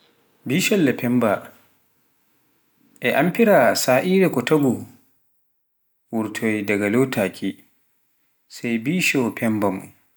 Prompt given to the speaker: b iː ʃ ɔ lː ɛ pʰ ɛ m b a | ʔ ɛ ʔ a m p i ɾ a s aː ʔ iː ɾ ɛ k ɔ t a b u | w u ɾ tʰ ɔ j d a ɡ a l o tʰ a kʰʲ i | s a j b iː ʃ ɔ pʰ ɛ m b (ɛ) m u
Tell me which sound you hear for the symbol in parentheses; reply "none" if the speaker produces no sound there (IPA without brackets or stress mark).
a